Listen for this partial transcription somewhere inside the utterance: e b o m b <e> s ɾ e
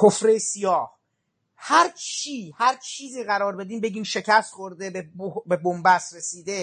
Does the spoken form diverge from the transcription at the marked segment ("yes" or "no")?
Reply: yes